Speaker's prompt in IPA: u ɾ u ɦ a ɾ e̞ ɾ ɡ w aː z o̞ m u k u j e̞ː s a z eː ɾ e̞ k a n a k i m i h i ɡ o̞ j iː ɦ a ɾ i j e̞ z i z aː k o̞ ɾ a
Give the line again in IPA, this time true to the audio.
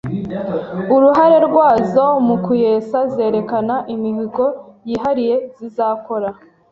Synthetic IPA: u ɾ u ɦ a ɾ e̞ ɾ ɡ w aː z o̞ m u k u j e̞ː s a z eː ɾ e̞ k a n a ʔ i m i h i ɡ o̞ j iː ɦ a ɾ i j e̞ z i z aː k o̞ ɾ a

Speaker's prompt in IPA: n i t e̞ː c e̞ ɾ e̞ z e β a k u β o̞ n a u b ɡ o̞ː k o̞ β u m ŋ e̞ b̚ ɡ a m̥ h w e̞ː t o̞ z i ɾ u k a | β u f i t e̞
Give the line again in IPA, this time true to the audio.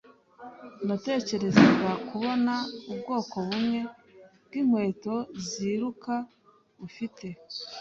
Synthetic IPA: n a t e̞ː c e̞ ɾ e̞ z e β a k u β o̞ n a u b ɡ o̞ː k o̞ β u m ŋ e̞ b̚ ɡ i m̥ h w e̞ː t o̞ z i ɾ u k a | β u f i t e̞

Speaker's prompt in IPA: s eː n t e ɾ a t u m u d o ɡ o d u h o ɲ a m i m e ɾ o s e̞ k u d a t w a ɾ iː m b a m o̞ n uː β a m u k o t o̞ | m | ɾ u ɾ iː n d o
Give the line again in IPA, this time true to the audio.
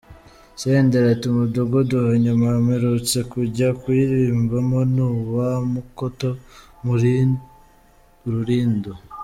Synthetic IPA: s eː n d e ɾ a t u m u d o ɡ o d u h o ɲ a m a m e ɾ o t͡s e̞ k u ɟ a k w i ɾ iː m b a m o̞ n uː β a m u k o t o̞ | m | ɾ u ɾ iː n d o

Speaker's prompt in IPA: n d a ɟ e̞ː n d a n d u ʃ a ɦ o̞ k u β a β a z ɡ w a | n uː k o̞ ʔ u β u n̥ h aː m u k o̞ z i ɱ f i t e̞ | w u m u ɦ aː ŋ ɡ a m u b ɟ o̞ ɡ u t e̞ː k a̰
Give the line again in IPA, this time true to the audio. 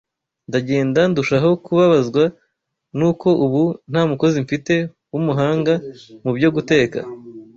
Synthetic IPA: n d a ɟ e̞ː n d a n d u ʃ a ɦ o̞ k u β a β a z ɡ w a | n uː k o̞ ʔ u β u n̥ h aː m u k o̞ z i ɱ f i t e̞ | w u m u ɦ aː ŋ ɡ a m u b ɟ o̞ ɡ u t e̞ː k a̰

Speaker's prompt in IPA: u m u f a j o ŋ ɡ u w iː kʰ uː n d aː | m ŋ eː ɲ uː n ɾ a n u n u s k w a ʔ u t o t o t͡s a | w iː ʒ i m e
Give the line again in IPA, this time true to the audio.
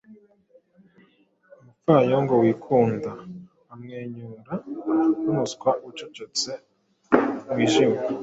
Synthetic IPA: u m u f a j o ŋ ɡ o w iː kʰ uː n d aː | m ŋ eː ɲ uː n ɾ a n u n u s k w a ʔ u t͡ʃ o t͡ʃ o t͡s e | w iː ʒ i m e

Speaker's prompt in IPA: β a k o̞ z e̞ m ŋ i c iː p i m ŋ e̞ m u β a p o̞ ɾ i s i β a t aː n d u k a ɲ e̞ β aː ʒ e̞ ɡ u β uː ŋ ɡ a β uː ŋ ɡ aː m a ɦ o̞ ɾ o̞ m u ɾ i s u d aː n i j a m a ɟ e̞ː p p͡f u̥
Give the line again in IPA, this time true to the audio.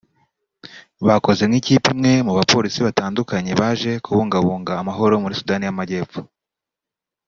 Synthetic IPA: β a k o̞ z e̞ m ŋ i c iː p i m ŋ e̞ m u β a p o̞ ɾ i s i β a t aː n d u k a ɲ e̞ β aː ʒ e̞ k u β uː ŋ ɡ a β uː ŋ ɡ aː m a ɦ o̞ ɾ o̞ m u ɾ i s u d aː n i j a m a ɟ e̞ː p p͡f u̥

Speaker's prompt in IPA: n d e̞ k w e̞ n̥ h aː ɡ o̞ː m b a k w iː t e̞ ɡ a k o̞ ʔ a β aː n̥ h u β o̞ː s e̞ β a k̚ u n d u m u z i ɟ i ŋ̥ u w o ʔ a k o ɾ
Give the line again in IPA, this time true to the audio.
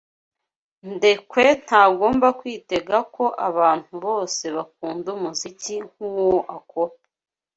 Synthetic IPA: n d e̞ k w e̞ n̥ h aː ɡ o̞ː m b a k w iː t e̞ ɡ a k o̞ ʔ a β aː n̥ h u β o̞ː s e̞ β a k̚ uː n d u m u z i c i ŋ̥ u w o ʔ a k o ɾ

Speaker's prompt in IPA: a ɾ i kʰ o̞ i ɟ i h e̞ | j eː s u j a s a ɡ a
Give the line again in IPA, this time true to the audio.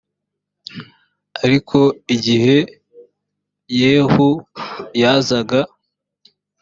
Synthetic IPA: a ɾ i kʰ o̞ i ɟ i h e̞ | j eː h u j a z a ɡ a

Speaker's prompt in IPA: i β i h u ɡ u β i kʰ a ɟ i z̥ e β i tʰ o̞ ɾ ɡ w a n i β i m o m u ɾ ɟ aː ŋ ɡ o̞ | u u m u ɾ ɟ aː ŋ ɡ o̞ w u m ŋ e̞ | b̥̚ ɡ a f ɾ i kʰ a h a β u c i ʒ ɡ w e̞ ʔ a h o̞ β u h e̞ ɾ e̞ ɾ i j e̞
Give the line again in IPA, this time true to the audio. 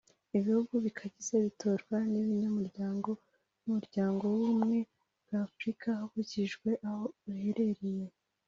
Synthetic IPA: i β i h u ɡ u β i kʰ a ɟ i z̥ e β i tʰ o̞ ɾ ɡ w a n i β i ɲ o m u ɾ ɟ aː ŋ ɡ o̞ | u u m u ɾ ɟ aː ŋ ɡ o̞ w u m ŋ e̞ | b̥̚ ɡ a f ɾ i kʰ a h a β u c i ʒ ɡ w e̞ ʔ a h o̞ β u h e̞ ɾ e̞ ɾ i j e̞

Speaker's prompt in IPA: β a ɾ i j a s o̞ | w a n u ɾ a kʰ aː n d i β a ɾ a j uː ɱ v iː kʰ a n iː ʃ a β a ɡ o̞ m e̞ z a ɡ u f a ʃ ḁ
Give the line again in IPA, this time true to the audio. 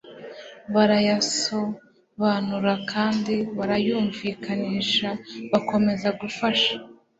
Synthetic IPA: β a ɾ a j a s o̞ | β a n u ɾ a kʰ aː n d i β a ɾ a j uː ɱ v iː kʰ a n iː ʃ a β a k o̞ m e̞ z a ɡ u f a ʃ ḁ

